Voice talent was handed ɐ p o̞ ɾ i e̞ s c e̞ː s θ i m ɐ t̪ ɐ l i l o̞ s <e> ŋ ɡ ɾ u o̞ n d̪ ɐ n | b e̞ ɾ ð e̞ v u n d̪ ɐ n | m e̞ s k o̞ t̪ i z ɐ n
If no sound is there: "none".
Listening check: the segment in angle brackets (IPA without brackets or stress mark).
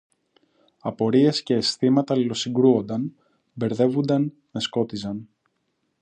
i